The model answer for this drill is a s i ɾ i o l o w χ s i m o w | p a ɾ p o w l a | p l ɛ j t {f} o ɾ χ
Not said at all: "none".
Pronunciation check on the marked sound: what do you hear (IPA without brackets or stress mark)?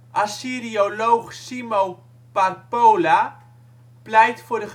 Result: f